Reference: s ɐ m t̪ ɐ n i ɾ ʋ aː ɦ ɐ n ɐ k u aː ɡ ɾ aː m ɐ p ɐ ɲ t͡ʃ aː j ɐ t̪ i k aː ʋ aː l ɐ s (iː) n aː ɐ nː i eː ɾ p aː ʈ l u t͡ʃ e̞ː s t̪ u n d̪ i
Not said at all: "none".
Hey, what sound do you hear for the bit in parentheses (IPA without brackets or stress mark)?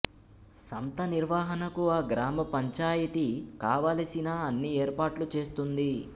i